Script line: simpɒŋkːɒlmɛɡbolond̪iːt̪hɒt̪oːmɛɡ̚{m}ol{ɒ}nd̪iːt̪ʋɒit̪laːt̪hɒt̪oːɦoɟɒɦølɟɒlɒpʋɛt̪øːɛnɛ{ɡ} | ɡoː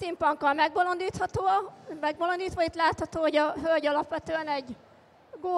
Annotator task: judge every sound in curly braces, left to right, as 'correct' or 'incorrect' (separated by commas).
incorrect, incorrect, incorrect